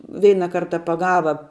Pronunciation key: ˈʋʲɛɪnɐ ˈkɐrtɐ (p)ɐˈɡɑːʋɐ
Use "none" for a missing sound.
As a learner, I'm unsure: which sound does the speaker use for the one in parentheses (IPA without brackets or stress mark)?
p